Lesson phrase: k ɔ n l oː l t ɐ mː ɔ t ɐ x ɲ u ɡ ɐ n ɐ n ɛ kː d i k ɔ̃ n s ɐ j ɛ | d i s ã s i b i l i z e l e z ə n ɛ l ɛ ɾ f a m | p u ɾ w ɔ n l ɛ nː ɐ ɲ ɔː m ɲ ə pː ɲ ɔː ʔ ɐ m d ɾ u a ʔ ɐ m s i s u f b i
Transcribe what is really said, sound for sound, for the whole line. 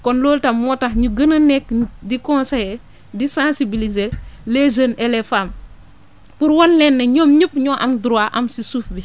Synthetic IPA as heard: k ɔ n l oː l t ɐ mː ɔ t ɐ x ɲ u ɡ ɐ n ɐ n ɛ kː d i k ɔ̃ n s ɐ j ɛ | d i s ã s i b i l i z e l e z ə n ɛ l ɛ f a m | p u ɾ w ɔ n l ɛ nː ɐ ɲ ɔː m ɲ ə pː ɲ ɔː ʔ ɐ m d ɾ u a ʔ ɐ m s i s u f b i